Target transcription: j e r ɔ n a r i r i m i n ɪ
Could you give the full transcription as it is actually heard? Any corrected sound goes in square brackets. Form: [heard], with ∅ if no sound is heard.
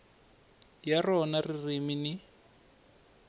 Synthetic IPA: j [a] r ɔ n a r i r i m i n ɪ